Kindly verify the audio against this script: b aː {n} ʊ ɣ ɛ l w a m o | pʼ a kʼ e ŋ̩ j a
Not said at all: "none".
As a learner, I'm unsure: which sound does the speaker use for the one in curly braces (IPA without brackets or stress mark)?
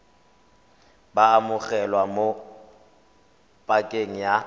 m